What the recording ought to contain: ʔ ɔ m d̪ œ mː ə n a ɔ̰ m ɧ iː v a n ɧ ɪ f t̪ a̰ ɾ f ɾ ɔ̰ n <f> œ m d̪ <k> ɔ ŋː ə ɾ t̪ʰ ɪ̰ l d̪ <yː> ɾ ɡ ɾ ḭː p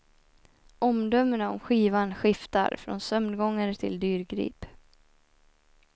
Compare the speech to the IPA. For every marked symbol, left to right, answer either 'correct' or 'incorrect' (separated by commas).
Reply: incorrect, incorrect, correct